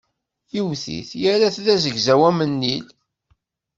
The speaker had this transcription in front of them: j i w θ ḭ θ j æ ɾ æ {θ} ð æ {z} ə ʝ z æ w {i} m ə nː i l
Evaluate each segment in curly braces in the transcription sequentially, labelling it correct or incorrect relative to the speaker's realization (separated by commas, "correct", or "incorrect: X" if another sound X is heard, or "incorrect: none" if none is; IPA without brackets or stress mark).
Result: correct, correct, incorrect: æ